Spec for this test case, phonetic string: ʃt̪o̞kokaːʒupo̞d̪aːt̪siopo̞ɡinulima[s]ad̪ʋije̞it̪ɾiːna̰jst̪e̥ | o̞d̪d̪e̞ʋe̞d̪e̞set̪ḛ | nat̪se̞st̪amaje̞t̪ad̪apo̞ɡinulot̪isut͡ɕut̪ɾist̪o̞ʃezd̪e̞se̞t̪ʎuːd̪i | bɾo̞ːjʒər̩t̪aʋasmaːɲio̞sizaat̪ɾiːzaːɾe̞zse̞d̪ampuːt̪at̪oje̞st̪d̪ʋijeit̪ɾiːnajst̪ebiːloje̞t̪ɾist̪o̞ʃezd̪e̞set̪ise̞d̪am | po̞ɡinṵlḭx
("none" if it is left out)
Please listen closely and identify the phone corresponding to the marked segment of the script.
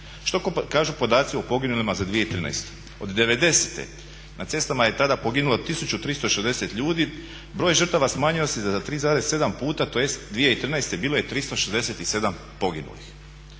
z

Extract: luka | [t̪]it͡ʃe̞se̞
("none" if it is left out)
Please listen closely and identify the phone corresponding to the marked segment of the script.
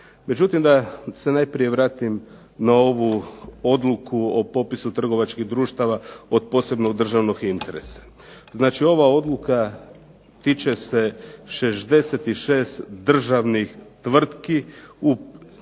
t̪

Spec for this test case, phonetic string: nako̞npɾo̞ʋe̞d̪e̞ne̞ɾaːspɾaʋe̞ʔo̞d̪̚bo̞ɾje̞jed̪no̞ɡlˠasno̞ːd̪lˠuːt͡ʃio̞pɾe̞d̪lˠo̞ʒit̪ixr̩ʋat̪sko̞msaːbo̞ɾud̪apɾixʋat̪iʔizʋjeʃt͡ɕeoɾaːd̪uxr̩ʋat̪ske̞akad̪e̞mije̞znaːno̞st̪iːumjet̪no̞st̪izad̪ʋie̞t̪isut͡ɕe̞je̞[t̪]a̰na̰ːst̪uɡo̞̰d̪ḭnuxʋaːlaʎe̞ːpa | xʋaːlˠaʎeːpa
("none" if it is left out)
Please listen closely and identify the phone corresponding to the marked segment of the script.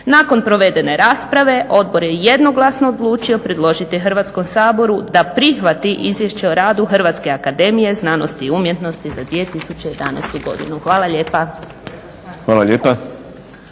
d̪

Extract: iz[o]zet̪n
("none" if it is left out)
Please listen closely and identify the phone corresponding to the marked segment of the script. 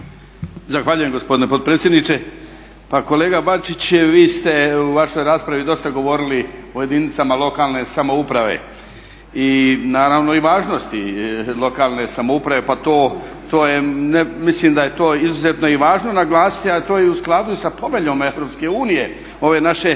u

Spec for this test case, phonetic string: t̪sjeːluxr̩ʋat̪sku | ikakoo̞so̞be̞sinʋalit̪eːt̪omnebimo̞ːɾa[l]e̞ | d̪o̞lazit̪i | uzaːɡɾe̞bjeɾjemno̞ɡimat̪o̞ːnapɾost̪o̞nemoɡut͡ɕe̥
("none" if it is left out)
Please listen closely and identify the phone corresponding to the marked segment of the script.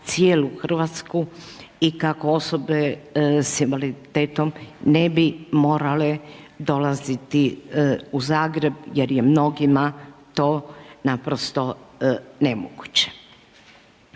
l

